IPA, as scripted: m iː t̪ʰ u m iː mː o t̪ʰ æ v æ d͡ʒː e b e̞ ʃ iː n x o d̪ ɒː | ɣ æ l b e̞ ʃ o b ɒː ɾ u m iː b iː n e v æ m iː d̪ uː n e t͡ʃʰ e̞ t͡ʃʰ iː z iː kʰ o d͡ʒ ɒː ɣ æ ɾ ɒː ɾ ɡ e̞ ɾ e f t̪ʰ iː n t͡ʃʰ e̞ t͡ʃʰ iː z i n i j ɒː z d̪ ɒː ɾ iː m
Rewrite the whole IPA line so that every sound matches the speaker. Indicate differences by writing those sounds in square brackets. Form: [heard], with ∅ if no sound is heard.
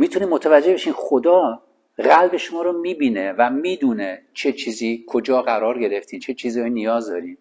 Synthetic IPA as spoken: m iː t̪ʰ u [n] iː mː o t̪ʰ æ v æ d͡ʒː e b e̞ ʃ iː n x o d̪ ɒː | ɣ æ l b e̞ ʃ o [m] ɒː ɾ [o] m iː b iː n e v æ m iː d̪ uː n e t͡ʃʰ e̞ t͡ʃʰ iː z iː kʰ o d͡ʒ ɒː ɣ æ ɾ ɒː ɾ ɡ e̞ ɾ e f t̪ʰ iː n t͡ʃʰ e̞ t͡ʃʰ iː z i n i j ɒː z d̪ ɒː ɾ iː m